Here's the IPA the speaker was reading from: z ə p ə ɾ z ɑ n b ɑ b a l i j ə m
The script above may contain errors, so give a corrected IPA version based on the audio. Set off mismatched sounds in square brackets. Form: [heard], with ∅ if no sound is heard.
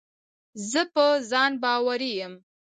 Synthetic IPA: z ə p ə [∅] z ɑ n b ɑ [w] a [ɾ] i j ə m